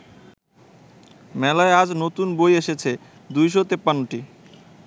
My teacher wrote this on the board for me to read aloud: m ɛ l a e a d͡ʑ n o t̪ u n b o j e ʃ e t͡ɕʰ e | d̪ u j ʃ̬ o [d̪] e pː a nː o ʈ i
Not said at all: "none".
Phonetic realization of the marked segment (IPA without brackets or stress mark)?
t̪